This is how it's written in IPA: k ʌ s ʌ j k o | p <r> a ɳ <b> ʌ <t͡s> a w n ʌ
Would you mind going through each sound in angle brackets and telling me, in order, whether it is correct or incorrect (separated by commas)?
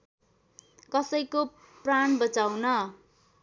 correct, correct, correct